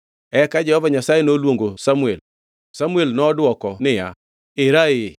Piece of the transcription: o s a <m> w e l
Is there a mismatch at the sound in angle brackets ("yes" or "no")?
no